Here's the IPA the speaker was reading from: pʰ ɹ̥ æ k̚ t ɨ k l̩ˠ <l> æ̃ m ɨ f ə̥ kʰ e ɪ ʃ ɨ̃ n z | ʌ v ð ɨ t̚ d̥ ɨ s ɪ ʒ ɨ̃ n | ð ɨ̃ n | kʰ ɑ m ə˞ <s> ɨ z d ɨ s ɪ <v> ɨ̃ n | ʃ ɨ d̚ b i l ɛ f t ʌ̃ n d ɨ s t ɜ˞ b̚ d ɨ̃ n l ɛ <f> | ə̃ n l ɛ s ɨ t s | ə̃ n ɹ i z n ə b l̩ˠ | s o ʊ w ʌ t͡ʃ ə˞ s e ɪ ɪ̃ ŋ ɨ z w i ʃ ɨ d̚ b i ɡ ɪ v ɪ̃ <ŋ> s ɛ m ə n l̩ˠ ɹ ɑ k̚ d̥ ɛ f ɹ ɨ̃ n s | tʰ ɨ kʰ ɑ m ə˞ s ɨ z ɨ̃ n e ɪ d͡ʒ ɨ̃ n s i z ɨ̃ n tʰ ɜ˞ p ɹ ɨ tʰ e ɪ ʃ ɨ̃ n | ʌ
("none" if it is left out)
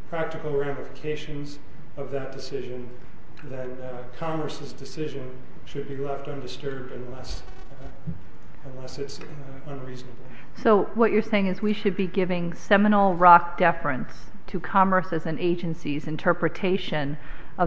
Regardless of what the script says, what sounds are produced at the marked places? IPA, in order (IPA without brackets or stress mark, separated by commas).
ɹ, s, ʒ, s, ŋ